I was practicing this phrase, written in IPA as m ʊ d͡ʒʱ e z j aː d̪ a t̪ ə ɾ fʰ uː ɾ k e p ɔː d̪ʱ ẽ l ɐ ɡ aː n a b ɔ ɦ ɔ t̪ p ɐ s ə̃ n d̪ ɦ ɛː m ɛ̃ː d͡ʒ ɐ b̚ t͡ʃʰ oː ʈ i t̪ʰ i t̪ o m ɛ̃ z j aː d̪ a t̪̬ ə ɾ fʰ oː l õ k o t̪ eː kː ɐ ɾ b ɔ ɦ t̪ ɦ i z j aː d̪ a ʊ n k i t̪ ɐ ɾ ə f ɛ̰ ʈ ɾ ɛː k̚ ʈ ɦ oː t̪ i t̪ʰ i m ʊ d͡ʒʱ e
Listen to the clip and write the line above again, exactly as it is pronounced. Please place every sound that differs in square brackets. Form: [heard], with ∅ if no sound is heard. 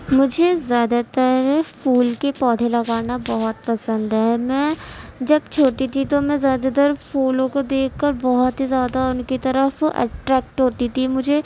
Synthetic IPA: m ʊ d͡ʒʱ e z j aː d̪ a t̪ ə ɾ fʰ uː [l] k e p ɔː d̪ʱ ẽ l ɐ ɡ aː n a b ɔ ɦ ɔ t̪ p ɐ s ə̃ n d̪ ɦ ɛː m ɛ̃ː d͡ʒ ɐ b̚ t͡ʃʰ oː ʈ i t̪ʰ i t̪ o m ɛ̃ z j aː d̪ a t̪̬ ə ɾ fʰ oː l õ k o [d̪] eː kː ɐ ɾ b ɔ ɦ t̪ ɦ i z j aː d̪ a ʊ n k i t̪ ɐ ɾ ə f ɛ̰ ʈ ɾ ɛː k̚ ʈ ɦ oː t̪ i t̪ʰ i m ʊ d͡ʒʱ e